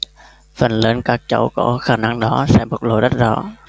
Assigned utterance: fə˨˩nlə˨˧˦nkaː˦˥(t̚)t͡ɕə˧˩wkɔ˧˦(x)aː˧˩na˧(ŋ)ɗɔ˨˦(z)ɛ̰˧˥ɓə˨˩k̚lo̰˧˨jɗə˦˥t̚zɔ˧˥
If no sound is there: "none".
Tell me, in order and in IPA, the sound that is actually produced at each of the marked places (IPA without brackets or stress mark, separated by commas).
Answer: k̚, x, ŋ, s